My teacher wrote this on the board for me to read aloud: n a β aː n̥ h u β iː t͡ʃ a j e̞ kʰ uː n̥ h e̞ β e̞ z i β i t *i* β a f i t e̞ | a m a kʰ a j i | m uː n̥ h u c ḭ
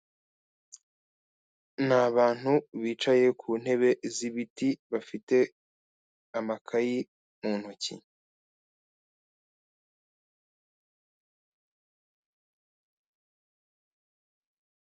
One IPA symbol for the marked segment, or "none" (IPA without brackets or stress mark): i